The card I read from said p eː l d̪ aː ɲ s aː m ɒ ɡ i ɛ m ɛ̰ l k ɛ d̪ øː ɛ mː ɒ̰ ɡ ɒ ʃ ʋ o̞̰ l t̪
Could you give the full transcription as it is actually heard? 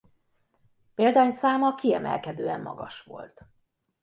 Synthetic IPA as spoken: p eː l d̪ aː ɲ s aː m ɒ k i ɛ m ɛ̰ l k ɛ d̪ øː ɛ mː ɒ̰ ɡ ɒ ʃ ʋ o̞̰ l t̪